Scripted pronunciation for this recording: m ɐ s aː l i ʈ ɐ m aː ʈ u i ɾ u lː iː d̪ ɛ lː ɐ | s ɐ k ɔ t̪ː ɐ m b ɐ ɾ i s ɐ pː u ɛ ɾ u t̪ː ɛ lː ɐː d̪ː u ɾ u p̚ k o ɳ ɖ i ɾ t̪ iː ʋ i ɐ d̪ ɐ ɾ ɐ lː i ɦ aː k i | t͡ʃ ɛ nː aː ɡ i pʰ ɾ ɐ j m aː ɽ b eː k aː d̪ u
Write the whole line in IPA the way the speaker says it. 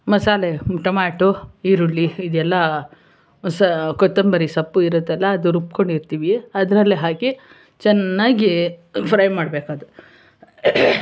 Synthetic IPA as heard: m ɐ s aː l e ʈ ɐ m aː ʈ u i ɾ u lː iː d̪ ɛ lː ɐ | s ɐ k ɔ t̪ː ɐ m b ɐ ɾ i s ɐ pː u i ɾ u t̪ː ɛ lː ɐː d̪ u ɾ u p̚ k o ɳ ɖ i ɾ t̪ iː ʋ i ɐ d̪ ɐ ɾ ɐ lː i ɦ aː k i | t͡ʃ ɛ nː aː ɡ i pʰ ɾ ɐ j m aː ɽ b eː k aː d̪ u